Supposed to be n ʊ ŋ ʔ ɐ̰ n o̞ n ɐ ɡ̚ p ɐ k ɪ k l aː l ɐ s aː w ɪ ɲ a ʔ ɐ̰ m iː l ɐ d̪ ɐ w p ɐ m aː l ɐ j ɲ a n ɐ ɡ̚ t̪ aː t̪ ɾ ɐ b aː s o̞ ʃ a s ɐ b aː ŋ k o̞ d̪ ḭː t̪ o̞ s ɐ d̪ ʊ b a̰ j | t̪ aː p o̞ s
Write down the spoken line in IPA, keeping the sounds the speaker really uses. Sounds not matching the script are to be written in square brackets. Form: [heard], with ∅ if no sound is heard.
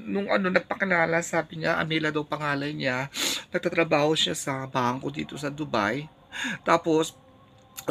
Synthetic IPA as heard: n ʊ ŋ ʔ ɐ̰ n o̞ n ɐ ɡ̚ p ɐ k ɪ [∅] l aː l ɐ s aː [b] ɪ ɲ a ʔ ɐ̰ m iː l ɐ d̪ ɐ w p ɐ [ŋ] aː l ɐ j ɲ a n ɐ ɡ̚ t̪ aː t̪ ɾ ɐ b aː [h] o̞ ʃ a s ɐ b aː ŋ k o̞ d̪ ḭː t̪ o̞ s ɐ d̪ ʊ b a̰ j | t̪ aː p o̞ s